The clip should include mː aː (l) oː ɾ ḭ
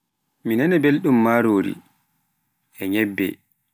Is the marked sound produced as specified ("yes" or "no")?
no